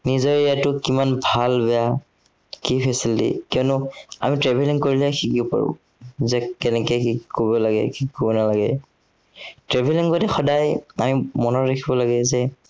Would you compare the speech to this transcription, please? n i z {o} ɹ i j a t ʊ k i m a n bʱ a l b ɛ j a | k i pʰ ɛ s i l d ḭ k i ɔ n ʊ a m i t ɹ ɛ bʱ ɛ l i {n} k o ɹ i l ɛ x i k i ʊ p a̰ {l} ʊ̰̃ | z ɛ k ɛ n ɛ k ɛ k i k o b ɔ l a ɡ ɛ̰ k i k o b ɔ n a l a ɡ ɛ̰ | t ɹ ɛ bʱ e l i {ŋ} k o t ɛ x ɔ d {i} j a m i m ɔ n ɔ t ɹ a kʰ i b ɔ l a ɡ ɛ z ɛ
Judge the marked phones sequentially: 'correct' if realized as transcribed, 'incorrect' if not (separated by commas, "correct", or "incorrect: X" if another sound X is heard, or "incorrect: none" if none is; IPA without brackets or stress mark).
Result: incorrect: ɔ, incorrect: ŋ, incorrect: ɹ, correct, incorrect: a